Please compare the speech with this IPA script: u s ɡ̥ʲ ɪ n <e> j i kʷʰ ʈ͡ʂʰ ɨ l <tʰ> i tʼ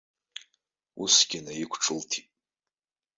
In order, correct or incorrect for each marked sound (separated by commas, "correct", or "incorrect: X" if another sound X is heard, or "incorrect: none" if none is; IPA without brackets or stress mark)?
incorrect: a, correct